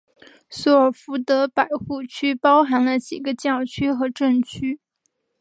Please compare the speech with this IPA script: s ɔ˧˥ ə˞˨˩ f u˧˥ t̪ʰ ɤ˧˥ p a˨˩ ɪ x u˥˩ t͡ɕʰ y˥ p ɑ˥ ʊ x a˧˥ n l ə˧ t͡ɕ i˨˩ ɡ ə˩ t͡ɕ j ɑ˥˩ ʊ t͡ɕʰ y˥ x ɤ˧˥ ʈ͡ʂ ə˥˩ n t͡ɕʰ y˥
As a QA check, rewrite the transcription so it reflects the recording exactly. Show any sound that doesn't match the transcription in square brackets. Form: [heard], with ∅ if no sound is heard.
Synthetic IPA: s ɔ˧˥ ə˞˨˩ f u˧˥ [t̪] ɤ˧˥ p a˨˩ ɪ x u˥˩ t͡ɕʰ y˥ p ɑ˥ ʊ x a˧˥ n l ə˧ t͡ɕ i˨˩ ɡ [ə˦] t͡ɕ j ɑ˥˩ ʊ t͡ɕʰ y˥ x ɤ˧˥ ʈ͡ʂ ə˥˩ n t͡ɕʰ y˥